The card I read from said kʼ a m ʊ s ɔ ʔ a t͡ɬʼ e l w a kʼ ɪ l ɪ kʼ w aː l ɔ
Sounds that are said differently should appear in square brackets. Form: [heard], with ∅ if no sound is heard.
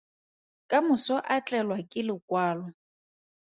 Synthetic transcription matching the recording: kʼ a m ʊ s ɔ ʔ a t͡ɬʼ [ɛ] l w a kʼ ɪ l ɪ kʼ w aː l ɔ

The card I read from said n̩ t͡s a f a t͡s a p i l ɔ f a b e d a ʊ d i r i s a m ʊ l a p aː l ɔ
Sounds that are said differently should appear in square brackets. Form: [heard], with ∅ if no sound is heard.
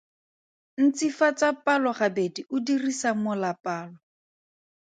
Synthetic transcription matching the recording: n̩ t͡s [i] f a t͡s a p [a] l ɔ [χ] a b e d [i] ʊ d i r i s a m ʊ l a p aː l ɔ

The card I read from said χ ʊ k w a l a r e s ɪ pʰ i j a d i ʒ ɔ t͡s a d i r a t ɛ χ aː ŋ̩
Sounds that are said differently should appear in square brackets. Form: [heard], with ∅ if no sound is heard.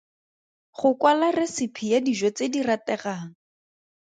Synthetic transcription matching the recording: χ ʊ k w a l a r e s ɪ pʰ i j a d i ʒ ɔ t͡s [e] d i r a t ɛ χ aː ŋ̩

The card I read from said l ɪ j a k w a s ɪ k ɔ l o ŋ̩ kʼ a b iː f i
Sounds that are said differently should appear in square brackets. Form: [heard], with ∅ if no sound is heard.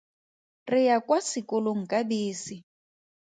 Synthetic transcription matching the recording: [r] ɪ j a k w a s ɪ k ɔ l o ŋ̩ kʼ a b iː [s] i

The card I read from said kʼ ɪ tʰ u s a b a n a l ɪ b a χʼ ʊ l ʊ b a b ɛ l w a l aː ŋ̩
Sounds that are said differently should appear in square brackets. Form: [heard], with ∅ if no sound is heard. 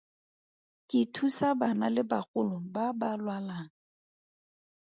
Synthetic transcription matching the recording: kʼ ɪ tʰ u s a b a n a l ɪ b a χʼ ʊ l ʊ b a b [a] l w a l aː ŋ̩

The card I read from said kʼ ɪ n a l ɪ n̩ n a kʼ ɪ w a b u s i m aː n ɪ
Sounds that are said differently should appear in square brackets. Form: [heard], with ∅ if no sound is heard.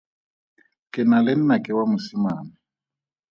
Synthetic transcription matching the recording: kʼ ɪ n a l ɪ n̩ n a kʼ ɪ w a [m] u s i m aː n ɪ

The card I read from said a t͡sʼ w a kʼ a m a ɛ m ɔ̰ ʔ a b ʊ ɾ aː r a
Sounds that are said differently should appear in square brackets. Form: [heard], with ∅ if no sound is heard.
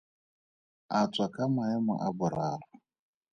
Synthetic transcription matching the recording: a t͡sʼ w a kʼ a m a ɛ m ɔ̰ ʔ a b ʊ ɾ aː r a

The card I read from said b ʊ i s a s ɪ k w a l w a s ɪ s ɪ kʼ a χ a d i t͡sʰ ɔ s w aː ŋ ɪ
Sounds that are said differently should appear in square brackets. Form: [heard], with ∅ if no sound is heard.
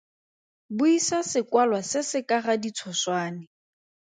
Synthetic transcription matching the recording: b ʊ i s a s ɪ k w a l w a s ɪ s ɪ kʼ a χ a d i t͡sʰ ɔ s w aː [n] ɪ

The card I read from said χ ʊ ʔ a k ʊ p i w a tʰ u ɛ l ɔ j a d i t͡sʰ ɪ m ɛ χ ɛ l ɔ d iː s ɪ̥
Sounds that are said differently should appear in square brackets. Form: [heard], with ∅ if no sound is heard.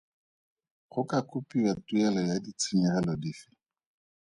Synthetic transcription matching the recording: χ ʊ [k] a k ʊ p i w a [t] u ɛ l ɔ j a d i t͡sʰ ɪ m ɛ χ ɛ l ɔ d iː [f] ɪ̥

